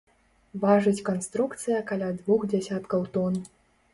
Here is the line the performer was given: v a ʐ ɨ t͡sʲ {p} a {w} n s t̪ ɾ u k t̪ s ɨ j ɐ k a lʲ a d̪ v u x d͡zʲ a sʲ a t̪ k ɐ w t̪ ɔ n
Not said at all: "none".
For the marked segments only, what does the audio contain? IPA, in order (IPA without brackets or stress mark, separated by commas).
k, none